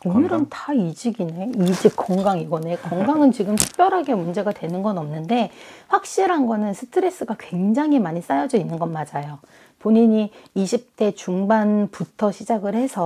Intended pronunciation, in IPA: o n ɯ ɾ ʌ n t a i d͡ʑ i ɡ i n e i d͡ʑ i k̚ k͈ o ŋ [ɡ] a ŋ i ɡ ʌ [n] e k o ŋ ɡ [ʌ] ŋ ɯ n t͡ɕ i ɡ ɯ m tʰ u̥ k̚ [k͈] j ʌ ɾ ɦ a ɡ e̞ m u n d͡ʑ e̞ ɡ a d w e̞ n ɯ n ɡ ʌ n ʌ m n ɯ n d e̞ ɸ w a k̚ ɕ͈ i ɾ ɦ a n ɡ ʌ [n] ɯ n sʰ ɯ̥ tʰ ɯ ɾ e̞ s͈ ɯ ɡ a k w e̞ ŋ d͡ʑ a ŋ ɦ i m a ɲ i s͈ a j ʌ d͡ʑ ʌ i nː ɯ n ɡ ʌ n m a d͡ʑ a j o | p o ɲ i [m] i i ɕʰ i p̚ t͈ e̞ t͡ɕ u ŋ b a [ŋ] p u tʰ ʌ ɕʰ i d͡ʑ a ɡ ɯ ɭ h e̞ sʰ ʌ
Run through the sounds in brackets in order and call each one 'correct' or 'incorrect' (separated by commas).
correct, correct, incorrect, incorrect, correct, incorrect, incorrect